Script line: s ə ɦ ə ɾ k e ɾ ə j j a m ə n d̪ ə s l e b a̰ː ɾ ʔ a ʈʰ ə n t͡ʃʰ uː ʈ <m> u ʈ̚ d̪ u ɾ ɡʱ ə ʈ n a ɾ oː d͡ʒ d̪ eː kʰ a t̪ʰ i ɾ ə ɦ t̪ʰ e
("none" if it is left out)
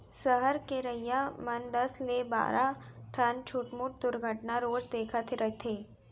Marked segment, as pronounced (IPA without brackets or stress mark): m